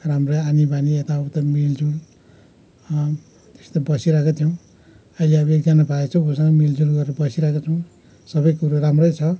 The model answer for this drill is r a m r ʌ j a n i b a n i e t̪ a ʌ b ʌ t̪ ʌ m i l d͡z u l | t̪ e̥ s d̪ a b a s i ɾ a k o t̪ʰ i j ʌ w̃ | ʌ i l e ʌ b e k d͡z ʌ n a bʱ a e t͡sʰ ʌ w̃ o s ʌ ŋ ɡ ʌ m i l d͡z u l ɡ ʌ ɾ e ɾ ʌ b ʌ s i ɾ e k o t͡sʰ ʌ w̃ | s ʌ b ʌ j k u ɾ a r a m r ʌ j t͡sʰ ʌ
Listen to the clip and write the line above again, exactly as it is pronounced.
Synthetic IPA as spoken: r a m r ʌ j a n i b a n i e t̪ a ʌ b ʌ t̪ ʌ m i l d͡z u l | t̪ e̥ s t̪ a b ʌ s i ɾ a k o t̪ʰ i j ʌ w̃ | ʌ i l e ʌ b e k d͡z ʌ n a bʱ a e t͡sʰ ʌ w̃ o s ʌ ŋ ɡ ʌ m i l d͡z u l ɡ ʌ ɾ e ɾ ʌ b ʌ s i ɾ a k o t͡sʰ ʌ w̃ | s ʌ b ʌ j k u ɾ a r a m r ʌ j t͡sʰ ʌ